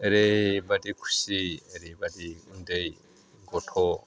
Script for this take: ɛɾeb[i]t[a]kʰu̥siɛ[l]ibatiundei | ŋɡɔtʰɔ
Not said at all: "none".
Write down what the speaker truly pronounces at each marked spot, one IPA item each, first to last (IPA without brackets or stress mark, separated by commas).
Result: a, i, ɾ